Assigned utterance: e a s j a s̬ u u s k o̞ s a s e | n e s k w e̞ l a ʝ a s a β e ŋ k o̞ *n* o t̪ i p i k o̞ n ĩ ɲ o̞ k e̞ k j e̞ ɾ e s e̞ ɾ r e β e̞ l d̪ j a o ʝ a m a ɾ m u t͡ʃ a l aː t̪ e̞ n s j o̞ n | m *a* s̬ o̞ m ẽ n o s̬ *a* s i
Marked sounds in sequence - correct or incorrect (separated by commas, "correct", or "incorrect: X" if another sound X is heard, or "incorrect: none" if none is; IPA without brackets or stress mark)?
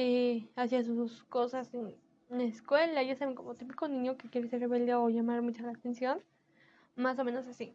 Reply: incorrect: m, correct, correct